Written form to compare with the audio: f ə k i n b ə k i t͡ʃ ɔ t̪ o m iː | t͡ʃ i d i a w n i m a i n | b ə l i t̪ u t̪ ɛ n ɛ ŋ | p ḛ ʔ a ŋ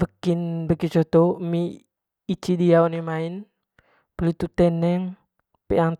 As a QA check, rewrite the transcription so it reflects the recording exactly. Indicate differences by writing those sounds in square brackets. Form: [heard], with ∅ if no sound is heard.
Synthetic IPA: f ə k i n b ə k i t͡ʃ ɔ t̪ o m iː | t͡ʃ i d i a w n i m a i n | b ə l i t̪ u t̪ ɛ n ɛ ŋ | p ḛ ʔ a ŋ